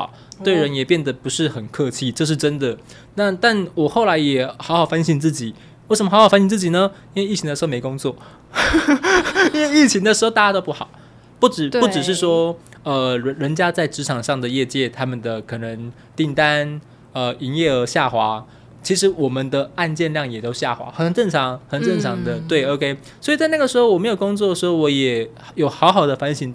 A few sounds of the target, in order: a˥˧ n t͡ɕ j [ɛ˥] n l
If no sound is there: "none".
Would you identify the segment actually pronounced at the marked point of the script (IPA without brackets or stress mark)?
ɛ˥˧